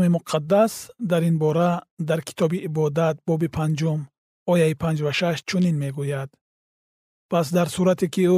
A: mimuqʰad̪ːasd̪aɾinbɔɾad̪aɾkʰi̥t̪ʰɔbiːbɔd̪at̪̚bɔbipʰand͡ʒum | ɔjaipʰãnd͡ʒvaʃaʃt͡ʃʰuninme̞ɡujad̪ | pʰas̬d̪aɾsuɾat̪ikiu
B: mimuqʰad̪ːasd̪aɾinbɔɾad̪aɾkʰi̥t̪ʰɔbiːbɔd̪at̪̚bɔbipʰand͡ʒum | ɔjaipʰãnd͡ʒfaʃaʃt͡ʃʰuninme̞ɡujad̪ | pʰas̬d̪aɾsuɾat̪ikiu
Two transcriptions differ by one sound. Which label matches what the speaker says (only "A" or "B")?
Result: A